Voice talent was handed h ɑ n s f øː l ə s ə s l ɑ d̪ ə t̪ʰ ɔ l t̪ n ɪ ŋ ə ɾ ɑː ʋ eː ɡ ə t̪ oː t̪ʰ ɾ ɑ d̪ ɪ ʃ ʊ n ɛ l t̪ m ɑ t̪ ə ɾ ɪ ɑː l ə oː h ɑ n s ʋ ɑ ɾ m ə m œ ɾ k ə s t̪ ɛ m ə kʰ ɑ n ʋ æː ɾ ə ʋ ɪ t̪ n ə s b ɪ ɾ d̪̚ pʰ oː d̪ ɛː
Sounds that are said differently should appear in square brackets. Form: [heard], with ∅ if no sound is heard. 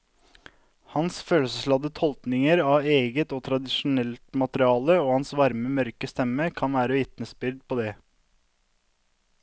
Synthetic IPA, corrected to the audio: h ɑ n s f øː l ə s ə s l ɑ d̪ ə t̪ʰ ɔ l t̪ n ɪ ŋ ə ɾ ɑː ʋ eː ɡ ə t̪ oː t̪ʰ ɾ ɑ d̪ ɪ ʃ ʊ n ɛ l t̪ m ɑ t̪ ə ɾ ɪ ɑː l ə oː h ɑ n s ʋ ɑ ɾ m ə m œ ɾ k ə s t̪ ɛ m ə kʰ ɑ n ʋ æː ɾ ə ʋ ɪ t̪ n ə s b ɪ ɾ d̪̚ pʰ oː d̪ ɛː

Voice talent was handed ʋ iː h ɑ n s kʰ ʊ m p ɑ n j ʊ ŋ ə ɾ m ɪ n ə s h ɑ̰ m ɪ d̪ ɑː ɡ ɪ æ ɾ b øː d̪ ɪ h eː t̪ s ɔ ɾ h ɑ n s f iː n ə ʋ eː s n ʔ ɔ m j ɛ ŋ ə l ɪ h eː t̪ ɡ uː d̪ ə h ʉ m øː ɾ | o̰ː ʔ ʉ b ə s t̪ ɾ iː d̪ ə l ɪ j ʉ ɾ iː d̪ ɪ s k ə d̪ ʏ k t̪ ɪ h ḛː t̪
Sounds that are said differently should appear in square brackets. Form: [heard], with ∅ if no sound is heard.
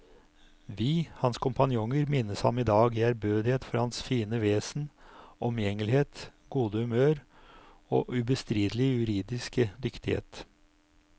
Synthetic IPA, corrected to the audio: ʋ iː h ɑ n s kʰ ʊ m p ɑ n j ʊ ŋ ə ɾ m ɪ n ə s h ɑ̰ m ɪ d̪ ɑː ɡ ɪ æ ɾ b øː d̪ ɪ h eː t̪ [f] ɔ ɾ h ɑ n s f iː n ə ʋ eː s n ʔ ɔ m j ɛ ŋ ə l ɪ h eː t̪ ɡ uː d̪ ə h ʉ m øː ɾ | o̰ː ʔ ʉ b ə s t̪ ɾ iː d̪ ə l ɪ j ʉ ɾ iː d̪ ɪ s k ə d̪ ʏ k t̪ ɪ h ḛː t̪

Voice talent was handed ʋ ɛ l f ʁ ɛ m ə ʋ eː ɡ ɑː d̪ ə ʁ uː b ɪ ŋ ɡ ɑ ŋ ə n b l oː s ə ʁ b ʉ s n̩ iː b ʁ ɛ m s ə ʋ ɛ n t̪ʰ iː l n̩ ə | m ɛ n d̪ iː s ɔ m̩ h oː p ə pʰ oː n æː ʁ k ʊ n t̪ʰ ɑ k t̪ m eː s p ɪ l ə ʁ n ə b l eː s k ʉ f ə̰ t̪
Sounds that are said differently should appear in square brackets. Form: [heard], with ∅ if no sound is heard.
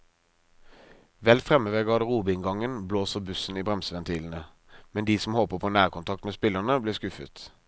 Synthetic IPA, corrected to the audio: ʋ ɛ l f ʁ ɛ m ə ʋ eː ɡ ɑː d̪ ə ʁ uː b ɪ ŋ ɡ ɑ ŋ ə n b l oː s ə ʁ b ʉ s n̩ iː b ʁ ɛ m s ə ʋ ɛ n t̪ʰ iː l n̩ ə | m ɛ n d̪ iː s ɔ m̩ h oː p ə pʰ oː n æː ʁ k ʊ n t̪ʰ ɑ k t̪ m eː s p ɪ l ə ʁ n ə b l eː s k ʉ f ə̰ t̪

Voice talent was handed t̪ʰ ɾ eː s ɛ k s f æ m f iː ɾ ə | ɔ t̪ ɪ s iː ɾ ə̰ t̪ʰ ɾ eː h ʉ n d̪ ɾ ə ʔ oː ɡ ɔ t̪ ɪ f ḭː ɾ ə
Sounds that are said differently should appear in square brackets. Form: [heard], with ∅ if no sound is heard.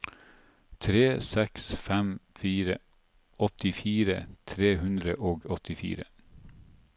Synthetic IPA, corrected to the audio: t̪ʰ ɾ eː s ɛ k s f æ m f iː ɾ ə | ɔ t̪ ɪ [f] iː ɾ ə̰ t̪ʰ ɾ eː h ʉ n d̪ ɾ ə ʔ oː ɡ ɔ t̪ ɪ f ḭː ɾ ə

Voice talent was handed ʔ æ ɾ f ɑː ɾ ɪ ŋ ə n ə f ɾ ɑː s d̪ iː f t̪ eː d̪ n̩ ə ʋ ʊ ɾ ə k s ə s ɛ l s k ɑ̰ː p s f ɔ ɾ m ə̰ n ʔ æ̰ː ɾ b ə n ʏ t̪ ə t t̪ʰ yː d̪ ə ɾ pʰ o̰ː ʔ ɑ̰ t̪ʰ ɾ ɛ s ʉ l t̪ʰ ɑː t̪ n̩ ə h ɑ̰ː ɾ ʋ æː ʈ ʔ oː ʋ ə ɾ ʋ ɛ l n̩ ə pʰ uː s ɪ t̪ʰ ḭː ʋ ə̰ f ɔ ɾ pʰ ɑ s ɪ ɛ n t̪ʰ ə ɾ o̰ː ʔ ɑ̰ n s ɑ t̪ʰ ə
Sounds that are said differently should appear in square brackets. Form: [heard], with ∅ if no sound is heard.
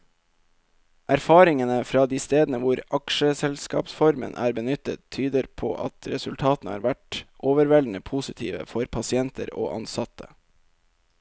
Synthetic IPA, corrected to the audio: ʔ æ ɾ f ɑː ɾ ɪ ŋ ə n ə f ɾ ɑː [∅] d̪ iː [s] t̪ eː d̪ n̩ ə ʋ ʊ ɾ [ɑ] k [ʃ] ə s ɛ l s k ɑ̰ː p s f ɔ ɾ m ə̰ n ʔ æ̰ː ɾ b ə n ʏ t̪ ə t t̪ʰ yː d̪ ə ɾ pʰ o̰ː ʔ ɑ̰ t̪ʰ ɾ ɛ s ʉ l t̪ʰ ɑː t̪ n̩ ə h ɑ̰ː ɾ ʋ [æ] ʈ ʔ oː ʋ ə ɾ ʋ ɛ l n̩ ə pʰ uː s ɪ t̪ʰ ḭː ʋ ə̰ f ɔ ɾ pʰ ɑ s ɪ ɛ n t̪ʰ ə ɾ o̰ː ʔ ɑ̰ n s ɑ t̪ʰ ə

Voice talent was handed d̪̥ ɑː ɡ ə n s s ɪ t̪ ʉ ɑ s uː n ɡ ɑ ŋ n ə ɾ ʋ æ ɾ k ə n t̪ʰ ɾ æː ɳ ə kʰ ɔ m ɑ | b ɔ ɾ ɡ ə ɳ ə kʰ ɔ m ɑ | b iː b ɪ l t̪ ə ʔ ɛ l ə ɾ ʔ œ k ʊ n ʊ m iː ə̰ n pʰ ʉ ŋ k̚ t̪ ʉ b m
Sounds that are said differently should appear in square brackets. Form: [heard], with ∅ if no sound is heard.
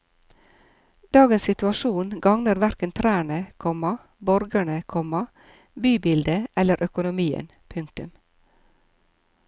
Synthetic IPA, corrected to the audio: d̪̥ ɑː ɡ ə n s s ɪ t̪ ʉ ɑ [ʃ] uː n ɡ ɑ ŋ n ə ɾ ʋ æ ɾ k ə n t̪ʰ ɾ æː ɳ ə kʰ ɔ m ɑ | b ɔ ɾ ɡ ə ɳ ə kʰ ɔ m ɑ | b [yː] b ɪ l [d̪] ə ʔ ɛ l ə ɾ ʔ œ k ʊ n ʊ m iː ə̰ n pʰ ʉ ŋ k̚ t̪ ʉ [∅] m

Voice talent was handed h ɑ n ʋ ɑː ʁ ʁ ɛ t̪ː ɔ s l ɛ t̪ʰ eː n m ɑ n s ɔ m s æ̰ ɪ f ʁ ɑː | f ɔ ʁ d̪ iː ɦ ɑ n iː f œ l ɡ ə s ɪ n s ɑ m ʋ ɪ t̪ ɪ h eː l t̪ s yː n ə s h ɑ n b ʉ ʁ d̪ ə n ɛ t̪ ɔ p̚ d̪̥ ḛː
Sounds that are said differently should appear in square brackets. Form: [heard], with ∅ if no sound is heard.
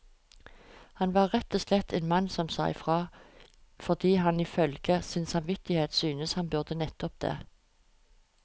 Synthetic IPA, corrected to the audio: h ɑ n ʋ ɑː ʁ ʁ ɛ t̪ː ɔ s l ɛ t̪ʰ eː n m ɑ n s ɔ m s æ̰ ɪ f ʁ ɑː | f ɔ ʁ d̪ iː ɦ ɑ n iː f œ l ɡ ə s ɪ n s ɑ m ʋ ɪ t̪ ɪ h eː [∅] t̪ s yː n ə s h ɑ n b ʉ ʁ d̪ ə n ɛ t̪ ɔ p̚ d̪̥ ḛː

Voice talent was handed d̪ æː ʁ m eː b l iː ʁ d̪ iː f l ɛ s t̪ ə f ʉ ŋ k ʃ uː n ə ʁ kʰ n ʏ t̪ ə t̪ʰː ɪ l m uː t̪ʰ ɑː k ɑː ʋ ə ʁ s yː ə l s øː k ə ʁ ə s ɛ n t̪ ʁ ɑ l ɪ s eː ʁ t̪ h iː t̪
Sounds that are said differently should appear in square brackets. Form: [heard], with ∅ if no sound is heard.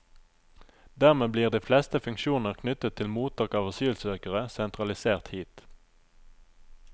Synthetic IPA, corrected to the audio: d̪ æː ʁ m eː b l iː ʁ d̪ iː f l ɛ s t̪ ə f ʉ ŋ k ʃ uː n ə ʁ kʰ n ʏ t̪ ə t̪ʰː ɪ l m uː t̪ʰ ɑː k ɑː ʋ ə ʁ s yː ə l s øː k ə ʁ ə s ɛ n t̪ ʁ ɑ l ɪ s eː ʁ t̪ h iː t̪

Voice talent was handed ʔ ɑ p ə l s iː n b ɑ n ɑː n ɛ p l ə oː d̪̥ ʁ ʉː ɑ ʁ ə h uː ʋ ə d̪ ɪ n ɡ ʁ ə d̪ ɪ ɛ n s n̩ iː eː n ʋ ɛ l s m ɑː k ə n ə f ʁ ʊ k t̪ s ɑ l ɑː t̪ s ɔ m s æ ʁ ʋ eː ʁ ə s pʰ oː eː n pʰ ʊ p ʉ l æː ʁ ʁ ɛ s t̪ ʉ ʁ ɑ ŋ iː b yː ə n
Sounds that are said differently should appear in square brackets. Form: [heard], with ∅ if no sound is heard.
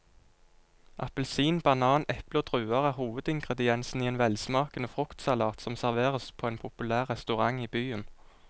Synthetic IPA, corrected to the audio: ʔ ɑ p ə l s iː n b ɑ n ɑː n ɛ p l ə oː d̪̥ ʁ ʉː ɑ ʁ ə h uː ʋ ə d̪ ɪ [ŋ] ɡ ʁ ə d̪ ɪ ɛ n s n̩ iː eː n ʋ ɛ l s m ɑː k ə n ə f ʁ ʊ k t̪ s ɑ l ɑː t̪ s ɔ m s æ ʁ ʋ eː ʁ ə s pʰ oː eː n pʰ ʊ p ʉ l æː ʁ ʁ ɛ s t̪ ʉ ʁ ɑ ŋ iː b yː ə n

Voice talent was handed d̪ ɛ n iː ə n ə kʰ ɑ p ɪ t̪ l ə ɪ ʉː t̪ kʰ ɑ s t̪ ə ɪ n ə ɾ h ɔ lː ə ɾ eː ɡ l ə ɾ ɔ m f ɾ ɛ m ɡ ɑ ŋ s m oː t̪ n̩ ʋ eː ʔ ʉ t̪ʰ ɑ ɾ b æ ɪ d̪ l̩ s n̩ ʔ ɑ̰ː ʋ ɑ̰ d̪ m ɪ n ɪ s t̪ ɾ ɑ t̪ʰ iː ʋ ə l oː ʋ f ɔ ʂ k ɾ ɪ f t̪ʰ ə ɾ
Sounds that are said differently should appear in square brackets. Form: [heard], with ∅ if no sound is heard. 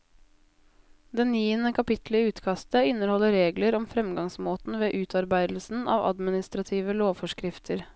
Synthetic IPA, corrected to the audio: d̪ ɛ n iː ə n ə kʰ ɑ p ɪ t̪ l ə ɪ ʉː t̪ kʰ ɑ s t̪ ə ɪ n ə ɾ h ɔ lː ə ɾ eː ɡ l ə ɾ ɔ m f ɾ ɛ m ɡ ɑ ŋ s m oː t̪ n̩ ʋ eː ʔ [ʉː] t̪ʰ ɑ ɾ b æ ɪ d̪ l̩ s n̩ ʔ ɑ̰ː ʋ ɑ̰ d̪ m ɪ n ɪ s t̪ ɾ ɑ t̪ʰ iː ʋ ə l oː ʋ f ɔ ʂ k ɾ ɪ f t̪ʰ ə ɾ

